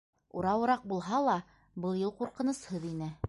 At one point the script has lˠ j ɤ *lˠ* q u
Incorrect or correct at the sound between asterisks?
correct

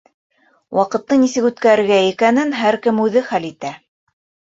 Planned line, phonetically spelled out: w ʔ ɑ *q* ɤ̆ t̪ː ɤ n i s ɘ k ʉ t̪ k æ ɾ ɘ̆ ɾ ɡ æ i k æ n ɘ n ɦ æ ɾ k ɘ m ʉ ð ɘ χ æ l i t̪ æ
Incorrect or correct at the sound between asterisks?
correct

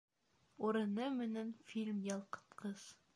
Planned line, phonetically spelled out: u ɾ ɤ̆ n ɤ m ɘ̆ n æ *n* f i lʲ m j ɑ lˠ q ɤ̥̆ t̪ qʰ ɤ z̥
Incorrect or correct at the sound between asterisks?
correct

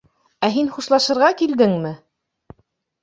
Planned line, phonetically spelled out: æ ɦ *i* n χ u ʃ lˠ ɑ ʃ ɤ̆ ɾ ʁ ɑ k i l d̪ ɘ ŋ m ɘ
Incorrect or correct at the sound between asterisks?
correct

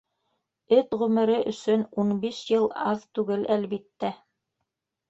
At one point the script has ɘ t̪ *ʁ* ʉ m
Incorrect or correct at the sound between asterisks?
correct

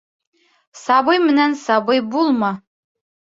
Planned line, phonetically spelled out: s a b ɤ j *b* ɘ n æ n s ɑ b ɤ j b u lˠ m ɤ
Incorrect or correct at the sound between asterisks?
incorrect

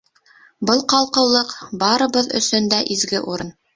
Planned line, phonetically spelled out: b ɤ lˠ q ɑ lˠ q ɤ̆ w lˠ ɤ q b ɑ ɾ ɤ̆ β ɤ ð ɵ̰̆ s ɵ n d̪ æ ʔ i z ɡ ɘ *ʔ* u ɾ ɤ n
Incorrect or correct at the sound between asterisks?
correct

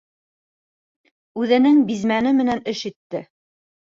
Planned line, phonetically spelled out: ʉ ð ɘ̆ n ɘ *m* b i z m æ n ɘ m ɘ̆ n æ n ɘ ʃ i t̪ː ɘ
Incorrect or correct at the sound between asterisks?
incorrect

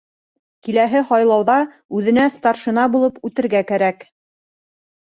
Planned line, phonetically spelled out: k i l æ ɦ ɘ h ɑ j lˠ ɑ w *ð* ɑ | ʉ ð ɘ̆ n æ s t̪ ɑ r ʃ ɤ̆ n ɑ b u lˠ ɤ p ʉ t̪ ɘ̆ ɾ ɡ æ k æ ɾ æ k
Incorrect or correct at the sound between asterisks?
correct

